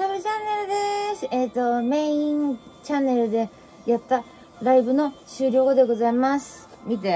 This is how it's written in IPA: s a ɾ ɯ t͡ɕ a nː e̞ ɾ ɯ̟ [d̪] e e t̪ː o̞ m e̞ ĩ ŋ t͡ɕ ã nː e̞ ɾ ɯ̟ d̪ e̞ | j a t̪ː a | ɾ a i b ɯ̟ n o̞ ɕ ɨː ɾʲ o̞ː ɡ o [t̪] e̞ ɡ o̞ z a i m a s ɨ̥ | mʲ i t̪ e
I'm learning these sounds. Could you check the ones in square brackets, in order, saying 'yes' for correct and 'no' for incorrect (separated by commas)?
yes, no